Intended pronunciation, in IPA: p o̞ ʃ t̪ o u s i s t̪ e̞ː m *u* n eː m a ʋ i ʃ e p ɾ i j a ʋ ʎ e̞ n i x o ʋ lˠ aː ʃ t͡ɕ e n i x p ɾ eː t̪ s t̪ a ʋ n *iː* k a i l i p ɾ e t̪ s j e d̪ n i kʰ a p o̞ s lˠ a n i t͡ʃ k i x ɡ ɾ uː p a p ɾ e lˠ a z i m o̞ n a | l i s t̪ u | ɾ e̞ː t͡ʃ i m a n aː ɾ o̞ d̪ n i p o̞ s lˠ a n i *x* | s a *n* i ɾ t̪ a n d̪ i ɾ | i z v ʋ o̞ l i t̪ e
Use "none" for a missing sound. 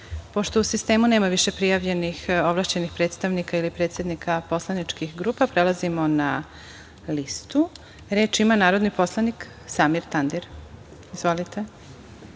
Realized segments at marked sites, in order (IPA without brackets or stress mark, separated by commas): u, i, k, m